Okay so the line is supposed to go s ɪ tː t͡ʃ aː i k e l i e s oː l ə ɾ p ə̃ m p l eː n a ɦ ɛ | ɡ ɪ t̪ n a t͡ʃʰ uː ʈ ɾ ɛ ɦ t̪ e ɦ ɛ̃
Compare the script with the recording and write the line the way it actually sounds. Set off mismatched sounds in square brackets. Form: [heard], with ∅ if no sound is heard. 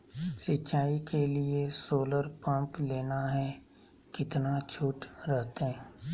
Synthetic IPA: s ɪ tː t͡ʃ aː i k e l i e s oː l ə ɾ p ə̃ m p l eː n a ɦ ɛ | [k] ɪ t̪ n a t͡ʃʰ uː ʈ ɾ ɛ ɦ t̪ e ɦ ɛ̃